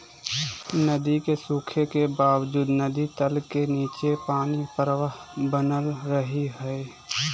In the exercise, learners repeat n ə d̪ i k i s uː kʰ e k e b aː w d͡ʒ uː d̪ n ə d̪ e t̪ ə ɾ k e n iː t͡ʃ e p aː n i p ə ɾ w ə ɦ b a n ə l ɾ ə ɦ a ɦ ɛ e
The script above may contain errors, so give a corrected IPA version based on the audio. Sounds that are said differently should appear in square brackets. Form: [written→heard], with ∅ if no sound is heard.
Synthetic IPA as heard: n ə d̪ i k [i→e] s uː kʰ e k e b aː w d͡ʒ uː d̪ n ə d̪ [e→i] t̪ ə [ɾ→l] k e n iː t͡ʃ e p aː n i p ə ɾ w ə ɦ b [a→ə] n ə l ɾ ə ɦ [a→i] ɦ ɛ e